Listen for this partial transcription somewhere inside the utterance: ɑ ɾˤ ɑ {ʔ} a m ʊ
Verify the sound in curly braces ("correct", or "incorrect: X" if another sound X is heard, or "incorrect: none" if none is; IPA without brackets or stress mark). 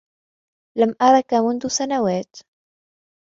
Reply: incorrect: k